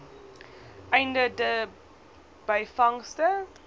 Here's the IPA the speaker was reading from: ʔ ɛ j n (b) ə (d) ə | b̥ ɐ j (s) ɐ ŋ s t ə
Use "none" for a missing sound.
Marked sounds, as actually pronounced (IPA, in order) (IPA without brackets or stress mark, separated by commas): d, d, f